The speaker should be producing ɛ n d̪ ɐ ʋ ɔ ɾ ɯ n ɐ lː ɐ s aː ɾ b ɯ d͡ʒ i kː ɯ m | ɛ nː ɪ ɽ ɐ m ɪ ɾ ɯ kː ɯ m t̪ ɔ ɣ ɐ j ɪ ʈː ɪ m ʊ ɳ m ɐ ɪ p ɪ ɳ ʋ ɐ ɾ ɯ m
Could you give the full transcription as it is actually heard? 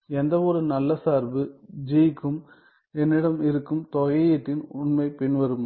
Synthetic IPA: ɛ n d̪ ɐ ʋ ɔ ɾ ɯ n ɐ lː ɐ s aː ɾ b ɯ d͡ʒ i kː ɯ m | ɛ nː ɪ ɽ ɐ m ɪ ɾ ɯ kː ɯ m t̪ ɔ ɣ ɐ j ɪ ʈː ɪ n ʊ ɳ m ɐ ɪ p ɪ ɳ ʋ ɐ ɾ ɯ m